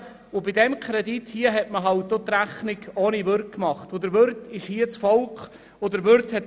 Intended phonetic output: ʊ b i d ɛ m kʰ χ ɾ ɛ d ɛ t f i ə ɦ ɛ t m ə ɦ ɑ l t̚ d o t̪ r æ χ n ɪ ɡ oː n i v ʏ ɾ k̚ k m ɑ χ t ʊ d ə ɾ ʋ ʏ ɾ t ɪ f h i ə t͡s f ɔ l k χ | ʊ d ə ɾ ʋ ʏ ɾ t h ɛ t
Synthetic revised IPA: ʊ b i d ɛ m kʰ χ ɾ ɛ d i t h i ə ɦ ɛ t m ə ɦ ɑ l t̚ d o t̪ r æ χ n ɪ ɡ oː n i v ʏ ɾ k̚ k m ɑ χ t ʊ d ə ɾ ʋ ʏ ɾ t ɪ ʃ h i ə t͡s f ɔ l k χ | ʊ d ə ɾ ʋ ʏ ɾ t h ɛ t